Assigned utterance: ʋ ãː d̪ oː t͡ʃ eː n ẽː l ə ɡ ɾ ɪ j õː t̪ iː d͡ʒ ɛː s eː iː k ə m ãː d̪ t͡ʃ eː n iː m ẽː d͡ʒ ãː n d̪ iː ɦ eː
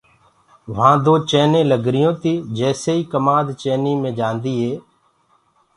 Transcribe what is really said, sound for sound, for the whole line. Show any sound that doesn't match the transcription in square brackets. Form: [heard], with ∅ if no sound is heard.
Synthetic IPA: ʋ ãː d̪ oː t͡ʃ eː n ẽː l ə ɡ ɾ ɪ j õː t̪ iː d͡ʒ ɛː s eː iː k ə m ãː d̪ t͡ʃ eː n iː m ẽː d͡ʒ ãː n d̪ iː ɦ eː